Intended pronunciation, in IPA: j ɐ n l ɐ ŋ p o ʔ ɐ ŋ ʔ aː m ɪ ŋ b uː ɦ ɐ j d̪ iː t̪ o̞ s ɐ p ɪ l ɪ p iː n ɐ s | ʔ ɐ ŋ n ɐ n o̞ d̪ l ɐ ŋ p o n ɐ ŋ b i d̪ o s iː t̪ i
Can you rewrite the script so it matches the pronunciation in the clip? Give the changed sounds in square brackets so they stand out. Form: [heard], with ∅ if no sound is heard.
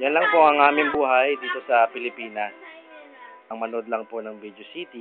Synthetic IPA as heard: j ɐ n l ɐ ŋ p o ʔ ɐ ŋ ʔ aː m ɪ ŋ b uː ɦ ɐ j d̪ iː t̪ o̞ s ɐ p ɪ l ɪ p iː n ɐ s | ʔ ɐ ŋ [m] ɐ n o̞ d̪ l ɐ ŋ p o n ɐ ŋ b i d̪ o s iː t̪ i